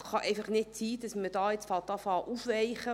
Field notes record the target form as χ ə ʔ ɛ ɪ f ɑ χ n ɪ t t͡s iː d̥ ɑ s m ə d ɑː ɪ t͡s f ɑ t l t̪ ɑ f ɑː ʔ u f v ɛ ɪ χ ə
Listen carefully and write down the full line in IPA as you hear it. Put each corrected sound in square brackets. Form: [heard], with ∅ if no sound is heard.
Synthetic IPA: χ [ɑ] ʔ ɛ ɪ f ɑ χ n ɪ t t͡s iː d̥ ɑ s m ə d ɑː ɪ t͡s f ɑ [∅] l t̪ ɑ f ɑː ʔ u f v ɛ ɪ χ ə